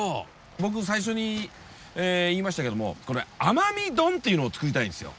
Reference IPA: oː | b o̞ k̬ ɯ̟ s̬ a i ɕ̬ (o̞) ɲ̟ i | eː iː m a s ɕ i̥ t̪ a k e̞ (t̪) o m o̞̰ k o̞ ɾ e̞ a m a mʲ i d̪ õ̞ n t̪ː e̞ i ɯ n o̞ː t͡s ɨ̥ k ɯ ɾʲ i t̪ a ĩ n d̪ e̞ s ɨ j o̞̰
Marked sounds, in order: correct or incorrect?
correct, incorrect: d̪

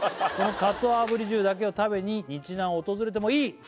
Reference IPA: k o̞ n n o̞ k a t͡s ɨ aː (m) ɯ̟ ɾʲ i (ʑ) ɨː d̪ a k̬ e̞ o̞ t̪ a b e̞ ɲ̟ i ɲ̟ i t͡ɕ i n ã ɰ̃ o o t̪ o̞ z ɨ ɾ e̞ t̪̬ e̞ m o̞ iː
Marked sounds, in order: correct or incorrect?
incorrect: b, correct

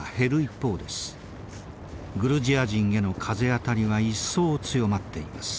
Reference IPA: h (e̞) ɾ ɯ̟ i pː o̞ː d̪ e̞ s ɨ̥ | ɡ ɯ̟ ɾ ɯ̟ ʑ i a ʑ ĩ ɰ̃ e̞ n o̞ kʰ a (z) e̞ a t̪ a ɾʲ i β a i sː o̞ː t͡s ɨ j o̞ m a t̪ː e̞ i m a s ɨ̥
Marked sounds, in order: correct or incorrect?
correct, correct

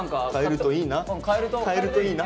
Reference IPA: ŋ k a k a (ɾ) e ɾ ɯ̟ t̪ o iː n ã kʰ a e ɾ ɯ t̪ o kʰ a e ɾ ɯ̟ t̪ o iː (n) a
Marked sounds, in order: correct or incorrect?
incorrect: none, correct

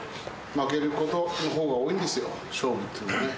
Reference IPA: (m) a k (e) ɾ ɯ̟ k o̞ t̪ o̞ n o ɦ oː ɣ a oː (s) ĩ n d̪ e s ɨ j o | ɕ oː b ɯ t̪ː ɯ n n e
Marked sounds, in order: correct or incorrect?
correct, correct, incorrect: none

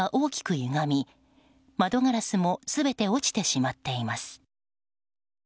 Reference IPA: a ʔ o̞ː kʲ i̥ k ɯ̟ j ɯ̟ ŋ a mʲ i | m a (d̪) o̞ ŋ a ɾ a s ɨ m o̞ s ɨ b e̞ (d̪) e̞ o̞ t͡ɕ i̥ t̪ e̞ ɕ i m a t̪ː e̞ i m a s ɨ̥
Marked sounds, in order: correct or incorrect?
correct, incorrect: t̪

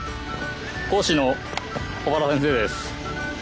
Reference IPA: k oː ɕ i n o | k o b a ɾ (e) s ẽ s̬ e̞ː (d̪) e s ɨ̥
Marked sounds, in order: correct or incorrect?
incorrect: a, correct

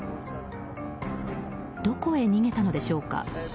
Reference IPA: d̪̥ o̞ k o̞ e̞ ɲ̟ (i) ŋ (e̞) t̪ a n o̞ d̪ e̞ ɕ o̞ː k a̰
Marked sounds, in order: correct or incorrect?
correct, correct

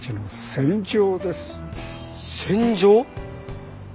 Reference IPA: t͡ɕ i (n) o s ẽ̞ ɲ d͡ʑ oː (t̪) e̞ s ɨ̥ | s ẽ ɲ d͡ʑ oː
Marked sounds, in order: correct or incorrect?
correct, incorrect: d̪

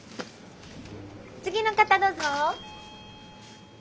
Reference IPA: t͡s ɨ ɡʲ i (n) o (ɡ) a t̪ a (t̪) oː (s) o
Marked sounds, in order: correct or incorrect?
correct, incorrect: k, incorrect: d̪, incorrect: z

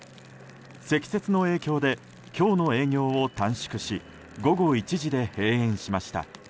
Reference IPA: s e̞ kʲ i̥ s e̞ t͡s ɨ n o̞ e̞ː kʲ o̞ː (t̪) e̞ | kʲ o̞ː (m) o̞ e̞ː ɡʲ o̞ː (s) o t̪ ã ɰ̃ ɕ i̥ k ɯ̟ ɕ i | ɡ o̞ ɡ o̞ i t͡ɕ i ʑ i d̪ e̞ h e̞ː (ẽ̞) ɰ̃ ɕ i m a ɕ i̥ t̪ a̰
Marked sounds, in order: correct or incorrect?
incorrect: d̪, incorrect: n, incorrect: none, correct

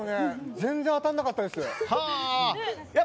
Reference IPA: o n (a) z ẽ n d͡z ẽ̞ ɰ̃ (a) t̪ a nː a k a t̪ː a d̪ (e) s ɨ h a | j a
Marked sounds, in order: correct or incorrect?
incorrect: e, correct, correct

